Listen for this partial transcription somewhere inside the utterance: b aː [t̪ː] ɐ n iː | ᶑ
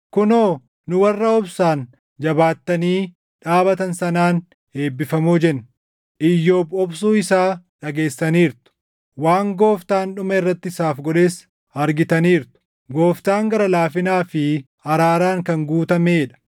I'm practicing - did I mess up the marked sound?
no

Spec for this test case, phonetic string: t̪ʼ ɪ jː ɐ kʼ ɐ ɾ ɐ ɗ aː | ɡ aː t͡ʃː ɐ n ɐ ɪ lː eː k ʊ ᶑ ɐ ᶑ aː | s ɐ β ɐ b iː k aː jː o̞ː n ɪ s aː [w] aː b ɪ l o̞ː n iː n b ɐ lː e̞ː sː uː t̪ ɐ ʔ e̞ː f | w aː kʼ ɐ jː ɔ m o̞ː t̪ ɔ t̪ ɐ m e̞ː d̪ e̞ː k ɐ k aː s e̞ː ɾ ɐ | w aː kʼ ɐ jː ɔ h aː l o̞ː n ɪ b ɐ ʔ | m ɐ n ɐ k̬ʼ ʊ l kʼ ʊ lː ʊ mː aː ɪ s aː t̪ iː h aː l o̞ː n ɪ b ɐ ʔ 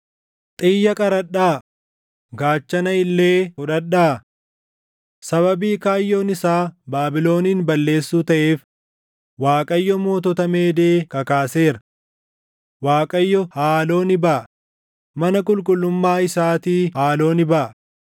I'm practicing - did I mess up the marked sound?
yes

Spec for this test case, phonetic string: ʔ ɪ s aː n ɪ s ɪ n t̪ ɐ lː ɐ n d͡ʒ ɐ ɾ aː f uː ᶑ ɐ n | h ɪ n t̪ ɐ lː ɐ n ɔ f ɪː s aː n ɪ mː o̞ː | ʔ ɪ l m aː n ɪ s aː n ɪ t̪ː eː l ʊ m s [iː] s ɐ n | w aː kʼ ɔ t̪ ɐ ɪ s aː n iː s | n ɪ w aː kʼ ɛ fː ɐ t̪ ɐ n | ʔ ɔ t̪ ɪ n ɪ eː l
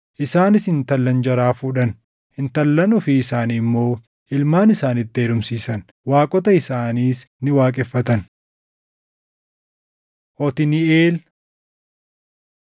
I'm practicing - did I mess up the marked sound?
no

